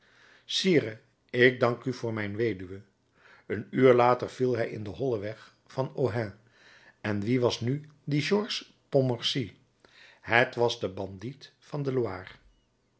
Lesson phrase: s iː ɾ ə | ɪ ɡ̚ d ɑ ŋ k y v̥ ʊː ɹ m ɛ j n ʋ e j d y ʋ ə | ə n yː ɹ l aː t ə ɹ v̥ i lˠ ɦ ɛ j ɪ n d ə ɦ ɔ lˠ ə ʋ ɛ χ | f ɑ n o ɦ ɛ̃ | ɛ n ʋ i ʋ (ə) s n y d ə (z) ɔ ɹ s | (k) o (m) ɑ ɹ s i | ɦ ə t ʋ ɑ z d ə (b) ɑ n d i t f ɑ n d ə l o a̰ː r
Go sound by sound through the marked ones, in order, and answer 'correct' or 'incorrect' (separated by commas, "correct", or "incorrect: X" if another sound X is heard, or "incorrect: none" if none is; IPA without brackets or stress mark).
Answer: incorrect: ɑ, incorrect: ʒ, incorrect: p, correct, correct